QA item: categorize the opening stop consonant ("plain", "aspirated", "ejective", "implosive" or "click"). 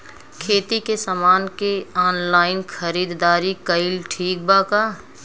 aspirated